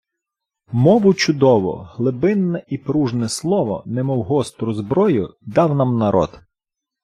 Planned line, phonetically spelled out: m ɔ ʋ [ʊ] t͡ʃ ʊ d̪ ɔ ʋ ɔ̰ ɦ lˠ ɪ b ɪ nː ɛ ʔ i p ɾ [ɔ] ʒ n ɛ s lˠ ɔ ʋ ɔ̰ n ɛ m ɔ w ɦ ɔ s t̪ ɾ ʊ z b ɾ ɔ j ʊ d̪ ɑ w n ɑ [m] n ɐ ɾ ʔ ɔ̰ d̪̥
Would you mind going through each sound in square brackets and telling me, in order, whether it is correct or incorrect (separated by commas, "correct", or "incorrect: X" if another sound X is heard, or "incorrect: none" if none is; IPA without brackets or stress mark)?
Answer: correct, incorrect: u, correct